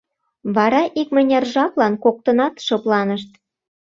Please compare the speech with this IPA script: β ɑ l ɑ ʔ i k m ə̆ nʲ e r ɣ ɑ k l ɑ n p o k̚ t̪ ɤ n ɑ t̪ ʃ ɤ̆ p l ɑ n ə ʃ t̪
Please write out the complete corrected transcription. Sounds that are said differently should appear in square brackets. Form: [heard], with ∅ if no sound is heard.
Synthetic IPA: β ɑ [ɾ] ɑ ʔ i k m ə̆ nʲ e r [ʒ] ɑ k l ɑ n [k] o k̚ t̪ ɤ n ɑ t̪ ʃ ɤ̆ p l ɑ n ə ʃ t̪